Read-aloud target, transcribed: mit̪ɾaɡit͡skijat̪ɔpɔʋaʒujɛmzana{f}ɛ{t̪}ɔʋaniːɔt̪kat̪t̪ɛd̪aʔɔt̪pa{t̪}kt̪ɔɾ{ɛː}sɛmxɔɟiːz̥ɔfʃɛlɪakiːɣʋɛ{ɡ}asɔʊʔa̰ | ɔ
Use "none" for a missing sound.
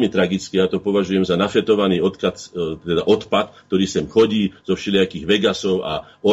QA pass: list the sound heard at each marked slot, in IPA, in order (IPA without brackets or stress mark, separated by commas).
f, t̪, t̪, iː, ɡ